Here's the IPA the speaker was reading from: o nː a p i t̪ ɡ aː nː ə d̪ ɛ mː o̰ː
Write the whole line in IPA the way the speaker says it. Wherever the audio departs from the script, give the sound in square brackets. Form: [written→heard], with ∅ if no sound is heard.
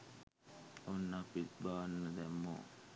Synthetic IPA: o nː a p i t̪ [ɡ→b] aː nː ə d̪ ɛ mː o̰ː